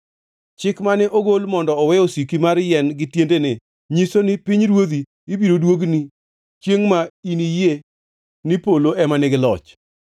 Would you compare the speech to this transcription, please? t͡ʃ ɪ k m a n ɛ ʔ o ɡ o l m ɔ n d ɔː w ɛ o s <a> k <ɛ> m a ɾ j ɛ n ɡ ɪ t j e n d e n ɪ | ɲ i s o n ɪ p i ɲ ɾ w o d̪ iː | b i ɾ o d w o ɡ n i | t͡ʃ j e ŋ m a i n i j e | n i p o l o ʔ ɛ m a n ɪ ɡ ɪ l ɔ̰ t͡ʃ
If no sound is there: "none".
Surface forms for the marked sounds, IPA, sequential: i, i

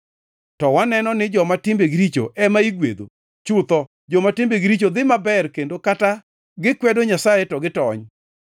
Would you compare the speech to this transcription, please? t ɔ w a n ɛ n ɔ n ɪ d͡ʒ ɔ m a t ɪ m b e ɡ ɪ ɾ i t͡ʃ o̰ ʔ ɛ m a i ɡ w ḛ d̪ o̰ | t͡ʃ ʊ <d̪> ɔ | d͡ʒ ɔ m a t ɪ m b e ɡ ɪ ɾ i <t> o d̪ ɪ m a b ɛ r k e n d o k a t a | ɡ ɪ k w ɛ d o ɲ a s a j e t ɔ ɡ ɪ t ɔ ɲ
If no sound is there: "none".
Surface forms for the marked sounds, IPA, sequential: t̪, t͡ʃ

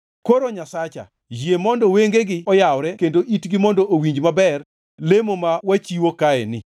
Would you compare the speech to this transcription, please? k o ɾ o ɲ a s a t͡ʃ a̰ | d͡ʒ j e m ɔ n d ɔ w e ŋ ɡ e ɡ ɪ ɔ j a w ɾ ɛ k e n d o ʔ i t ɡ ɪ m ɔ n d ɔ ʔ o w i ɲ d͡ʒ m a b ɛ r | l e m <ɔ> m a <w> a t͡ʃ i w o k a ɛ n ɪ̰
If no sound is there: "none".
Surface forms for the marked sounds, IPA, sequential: o, w

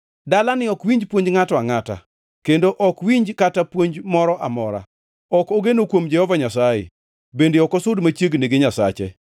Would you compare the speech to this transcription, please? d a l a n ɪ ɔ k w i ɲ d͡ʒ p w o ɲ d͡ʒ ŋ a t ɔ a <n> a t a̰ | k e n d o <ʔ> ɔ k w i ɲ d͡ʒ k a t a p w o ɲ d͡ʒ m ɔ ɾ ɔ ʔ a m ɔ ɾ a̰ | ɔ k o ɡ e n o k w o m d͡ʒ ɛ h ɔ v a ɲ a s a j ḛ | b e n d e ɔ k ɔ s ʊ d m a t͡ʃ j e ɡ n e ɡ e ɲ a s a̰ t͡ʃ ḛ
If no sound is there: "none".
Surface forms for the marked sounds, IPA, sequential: ŋ, ʔ

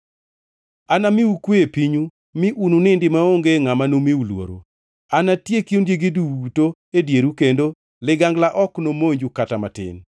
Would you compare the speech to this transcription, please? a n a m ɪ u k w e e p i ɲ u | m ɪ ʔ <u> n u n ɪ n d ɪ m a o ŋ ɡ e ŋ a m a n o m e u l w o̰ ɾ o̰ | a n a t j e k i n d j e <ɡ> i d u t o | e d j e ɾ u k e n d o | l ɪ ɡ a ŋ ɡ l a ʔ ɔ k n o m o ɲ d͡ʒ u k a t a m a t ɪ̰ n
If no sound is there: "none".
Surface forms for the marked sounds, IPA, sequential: u, ɡ

